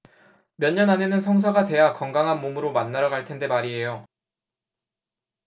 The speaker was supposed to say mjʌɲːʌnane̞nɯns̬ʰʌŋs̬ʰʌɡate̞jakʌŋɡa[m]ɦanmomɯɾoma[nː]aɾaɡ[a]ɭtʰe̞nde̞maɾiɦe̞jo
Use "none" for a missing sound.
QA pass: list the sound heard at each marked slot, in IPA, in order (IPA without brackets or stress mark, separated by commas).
ŋ, nː, a